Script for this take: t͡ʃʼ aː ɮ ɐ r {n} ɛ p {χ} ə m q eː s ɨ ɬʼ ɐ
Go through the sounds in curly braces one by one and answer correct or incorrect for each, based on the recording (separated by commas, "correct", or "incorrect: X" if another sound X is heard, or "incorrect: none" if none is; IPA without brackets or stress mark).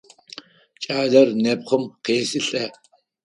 correct, correct